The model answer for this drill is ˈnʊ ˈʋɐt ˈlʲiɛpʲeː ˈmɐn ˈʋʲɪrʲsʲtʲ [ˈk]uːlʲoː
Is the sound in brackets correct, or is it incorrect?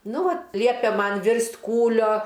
correct